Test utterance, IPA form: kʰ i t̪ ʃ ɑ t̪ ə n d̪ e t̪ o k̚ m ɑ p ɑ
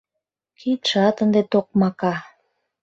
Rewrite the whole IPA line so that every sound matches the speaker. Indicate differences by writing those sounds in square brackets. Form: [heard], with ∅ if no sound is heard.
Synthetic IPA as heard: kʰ i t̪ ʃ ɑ t̪ ə n d̪ e t̪ o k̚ m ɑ [k] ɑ